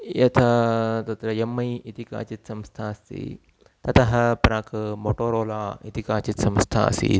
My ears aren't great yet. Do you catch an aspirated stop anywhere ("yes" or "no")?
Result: yes